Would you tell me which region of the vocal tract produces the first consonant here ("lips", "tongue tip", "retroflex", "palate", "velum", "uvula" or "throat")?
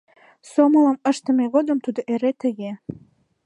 tongue tip